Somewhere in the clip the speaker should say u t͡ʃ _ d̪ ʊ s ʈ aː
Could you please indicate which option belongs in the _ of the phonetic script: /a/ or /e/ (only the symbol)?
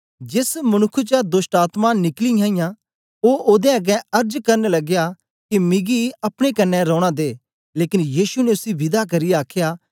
a